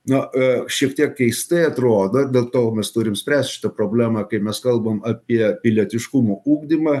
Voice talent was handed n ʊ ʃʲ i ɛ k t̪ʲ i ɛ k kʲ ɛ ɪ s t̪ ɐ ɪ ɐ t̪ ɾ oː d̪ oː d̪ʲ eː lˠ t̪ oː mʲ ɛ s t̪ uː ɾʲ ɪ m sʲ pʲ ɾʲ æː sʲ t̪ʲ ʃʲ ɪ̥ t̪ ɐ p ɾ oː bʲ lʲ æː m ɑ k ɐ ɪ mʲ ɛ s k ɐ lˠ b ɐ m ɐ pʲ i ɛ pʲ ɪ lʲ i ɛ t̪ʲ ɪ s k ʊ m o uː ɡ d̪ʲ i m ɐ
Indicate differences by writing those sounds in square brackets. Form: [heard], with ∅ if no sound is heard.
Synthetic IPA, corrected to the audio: n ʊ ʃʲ i ɛ k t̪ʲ i ɛ k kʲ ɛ ɪ s t̪ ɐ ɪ ɐ t̪ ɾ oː d̪ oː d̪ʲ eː lˠ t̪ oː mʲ ɛ s t̪ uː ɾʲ ɪ m sʲ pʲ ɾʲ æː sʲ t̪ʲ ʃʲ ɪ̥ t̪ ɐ p ɾ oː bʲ lʲ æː m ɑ k ɐ ɪ mʲ ɛ s k ɐ lˠ b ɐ m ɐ pʲ i ɛ pʲ ɪ lʲ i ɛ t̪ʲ ɪ [ʃ] k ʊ m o uː ɡ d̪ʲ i m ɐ